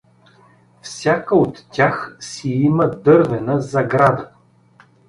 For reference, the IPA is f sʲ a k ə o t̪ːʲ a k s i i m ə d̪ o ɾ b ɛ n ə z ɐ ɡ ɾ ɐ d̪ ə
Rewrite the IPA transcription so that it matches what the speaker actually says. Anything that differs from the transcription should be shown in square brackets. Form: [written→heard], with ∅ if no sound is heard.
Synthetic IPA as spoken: f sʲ a k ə o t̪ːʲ a [k→x] s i i m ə d̪ [o→ɤ] ɾ [b→v] ɛ n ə z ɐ ɡ ɾ [ɐ→a] d̪ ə